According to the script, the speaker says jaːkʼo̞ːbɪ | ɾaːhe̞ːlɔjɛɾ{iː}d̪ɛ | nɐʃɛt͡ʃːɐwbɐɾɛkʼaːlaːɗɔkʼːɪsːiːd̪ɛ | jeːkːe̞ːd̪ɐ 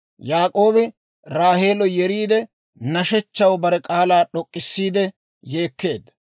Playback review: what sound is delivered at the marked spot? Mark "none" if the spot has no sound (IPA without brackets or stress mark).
iː